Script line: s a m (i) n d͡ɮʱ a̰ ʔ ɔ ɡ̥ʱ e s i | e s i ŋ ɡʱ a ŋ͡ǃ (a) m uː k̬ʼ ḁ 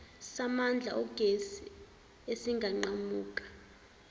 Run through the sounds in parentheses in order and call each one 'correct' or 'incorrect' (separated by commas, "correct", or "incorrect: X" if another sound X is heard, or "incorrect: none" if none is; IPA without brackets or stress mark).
incorrect: a, correct